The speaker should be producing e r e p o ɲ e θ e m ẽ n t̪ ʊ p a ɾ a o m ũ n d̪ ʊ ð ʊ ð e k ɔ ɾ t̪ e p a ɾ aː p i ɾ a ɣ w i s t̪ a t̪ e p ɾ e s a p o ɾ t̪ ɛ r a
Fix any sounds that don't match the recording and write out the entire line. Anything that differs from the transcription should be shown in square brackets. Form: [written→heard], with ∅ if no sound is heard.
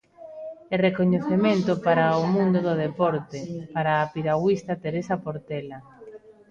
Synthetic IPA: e r e [p→k] o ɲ e θ e m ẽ n t̪ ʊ p a ɾ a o m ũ n d̪ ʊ ð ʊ ð e [k→p] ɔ ɾ t̪ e p a ɾ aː p i ɾ a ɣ w i s t̪ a t̪ e [p→∅] ɾ e s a p o ɾ t̪ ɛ [r→l] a